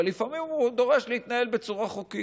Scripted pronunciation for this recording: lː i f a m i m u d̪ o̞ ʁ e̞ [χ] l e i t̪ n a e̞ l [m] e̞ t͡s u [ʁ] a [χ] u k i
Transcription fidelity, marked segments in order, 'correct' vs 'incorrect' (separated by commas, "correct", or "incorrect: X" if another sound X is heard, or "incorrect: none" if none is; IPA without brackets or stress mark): incorrect: ʃ, incorrect: b, correct, correct